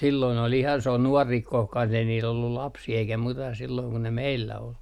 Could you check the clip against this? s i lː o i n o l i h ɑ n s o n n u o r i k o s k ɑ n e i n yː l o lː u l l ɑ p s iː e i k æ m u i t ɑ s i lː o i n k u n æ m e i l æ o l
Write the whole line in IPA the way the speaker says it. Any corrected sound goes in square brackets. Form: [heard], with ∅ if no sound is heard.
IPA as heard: s i lː o i n o l i h ɑ n s o n n u [ɔ] r i k o [h] k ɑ n e i n [iː] l o lː u l l ɑ p s iː e i k æ m u i t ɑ s i lː o i [ŋ] k u n [e] m e i [lː] æ o l